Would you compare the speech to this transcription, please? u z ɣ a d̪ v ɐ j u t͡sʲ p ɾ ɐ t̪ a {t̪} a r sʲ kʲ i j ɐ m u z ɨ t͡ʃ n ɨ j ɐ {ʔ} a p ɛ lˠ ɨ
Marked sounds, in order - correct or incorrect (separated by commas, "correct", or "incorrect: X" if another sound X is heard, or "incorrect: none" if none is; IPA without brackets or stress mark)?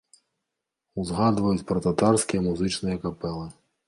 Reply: correct, incorrect: k